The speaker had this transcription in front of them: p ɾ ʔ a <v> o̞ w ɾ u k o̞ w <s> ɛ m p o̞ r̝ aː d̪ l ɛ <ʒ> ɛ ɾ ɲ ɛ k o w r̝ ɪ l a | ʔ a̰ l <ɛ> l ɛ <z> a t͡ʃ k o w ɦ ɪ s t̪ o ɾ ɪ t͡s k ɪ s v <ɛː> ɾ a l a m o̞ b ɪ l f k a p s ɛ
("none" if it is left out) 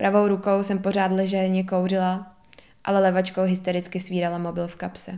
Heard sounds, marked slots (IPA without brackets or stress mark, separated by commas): v, s, ʒ, ɛ, v, iː